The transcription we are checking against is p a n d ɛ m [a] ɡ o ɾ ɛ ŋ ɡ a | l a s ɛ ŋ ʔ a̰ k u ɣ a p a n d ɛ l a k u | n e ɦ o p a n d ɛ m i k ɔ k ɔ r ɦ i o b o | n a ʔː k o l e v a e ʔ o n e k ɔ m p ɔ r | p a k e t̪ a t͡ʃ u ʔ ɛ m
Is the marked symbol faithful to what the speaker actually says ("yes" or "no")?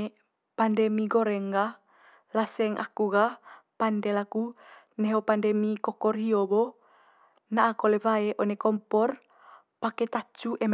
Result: no